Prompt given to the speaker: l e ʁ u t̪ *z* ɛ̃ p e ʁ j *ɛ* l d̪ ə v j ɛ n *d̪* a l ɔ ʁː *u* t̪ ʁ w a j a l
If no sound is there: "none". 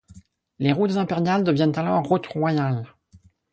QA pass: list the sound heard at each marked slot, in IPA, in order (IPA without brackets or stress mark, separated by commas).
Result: z, a, t̪, u